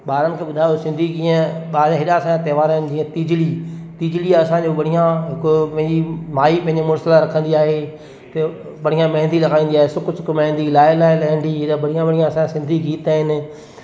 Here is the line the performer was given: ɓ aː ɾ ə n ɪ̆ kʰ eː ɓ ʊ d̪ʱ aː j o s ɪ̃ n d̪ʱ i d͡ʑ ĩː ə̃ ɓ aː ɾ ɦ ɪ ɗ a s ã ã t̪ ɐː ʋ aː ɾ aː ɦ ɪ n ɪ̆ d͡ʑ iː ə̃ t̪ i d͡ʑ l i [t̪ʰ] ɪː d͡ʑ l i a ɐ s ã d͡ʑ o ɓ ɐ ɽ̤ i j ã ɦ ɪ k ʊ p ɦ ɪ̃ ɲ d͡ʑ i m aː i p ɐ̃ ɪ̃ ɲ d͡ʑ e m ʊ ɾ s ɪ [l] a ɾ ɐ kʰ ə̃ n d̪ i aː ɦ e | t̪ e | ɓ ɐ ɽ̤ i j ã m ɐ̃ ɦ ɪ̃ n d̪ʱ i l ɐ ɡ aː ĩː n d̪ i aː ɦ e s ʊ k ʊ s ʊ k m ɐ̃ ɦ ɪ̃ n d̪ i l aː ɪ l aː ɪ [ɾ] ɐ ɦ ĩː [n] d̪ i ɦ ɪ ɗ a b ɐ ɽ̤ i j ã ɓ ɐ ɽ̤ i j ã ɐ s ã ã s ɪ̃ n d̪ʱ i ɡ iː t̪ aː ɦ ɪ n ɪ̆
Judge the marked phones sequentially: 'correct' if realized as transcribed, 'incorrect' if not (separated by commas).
incorrect, correct, incorrect, correct